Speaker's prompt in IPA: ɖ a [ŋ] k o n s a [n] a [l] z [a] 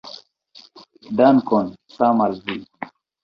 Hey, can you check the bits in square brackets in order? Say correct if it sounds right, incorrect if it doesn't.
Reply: incorrect: n, incorrect: m, correct, incorrect: i

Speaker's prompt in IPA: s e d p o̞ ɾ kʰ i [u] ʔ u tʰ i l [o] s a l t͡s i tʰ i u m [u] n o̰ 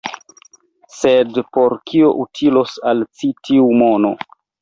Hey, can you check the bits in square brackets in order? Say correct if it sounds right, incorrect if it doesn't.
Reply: incorrect: o, correct, incorrect: o

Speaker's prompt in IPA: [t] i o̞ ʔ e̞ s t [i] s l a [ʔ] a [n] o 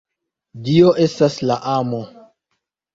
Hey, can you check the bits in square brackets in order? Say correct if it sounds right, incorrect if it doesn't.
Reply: incorrect: d, incorrect: a, correct, incorrect: m

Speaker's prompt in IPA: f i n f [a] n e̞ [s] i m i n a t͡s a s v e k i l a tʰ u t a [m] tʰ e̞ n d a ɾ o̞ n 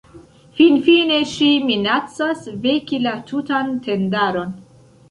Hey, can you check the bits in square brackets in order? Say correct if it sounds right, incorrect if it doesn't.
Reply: incorrect: i, incorrect: ʃ, incorrect: n

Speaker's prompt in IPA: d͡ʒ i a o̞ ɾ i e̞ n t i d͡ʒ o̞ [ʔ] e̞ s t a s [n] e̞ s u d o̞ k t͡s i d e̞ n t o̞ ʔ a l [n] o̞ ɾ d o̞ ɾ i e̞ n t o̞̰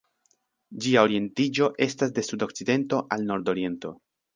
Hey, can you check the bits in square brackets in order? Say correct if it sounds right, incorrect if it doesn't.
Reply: correct, incorrect: d, correct

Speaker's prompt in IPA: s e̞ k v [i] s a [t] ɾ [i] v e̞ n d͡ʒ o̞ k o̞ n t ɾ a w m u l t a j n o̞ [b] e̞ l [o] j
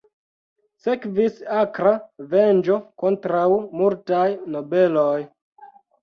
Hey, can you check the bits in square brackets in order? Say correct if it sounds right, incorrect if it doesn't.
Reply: correct, incorrect: k, incorrect: a, correct, correct

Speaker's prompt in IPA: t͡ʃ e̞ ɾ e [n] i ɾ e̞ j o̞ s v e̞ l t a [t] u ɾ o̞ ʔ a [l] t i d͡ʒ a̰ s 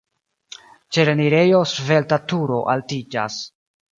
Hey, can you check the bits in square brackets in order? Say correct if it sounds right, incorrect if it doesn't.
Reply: correct, correct, correct

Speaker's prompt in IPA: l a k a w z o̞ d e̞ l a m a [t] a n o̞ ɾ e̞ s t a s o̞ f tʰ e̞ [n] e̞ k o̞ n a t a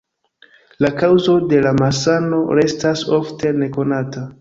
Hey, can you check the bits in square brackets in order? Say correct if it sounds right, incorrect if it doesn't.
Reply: incorrect: s, correct

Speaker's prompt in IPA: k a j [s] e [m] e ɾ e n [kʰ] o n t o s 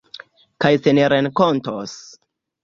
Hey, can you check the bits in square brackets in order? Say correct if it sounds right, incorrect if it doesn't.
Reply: correct, incorrect: n, incorrect: k

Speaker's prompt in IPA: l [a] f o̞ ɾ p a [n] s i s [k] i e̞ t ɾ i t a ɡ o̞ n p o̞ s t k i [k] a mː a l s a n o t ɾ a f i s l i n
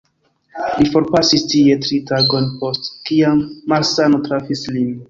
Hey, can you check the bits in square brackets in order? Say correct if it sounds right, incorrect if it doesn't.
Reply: incorrect: i, incorrect: none, incorrect: t, incorrect: none

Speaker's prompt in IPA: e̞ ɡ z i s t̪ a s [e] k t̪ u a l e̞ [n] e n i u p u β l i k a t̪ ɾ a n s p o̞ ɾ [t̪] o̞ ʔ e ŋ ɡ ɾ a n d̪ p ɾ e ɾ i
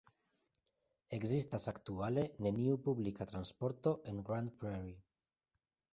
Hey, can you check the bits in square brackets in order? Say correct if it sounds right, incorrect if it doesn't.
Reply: incorrect: a, correct, correct

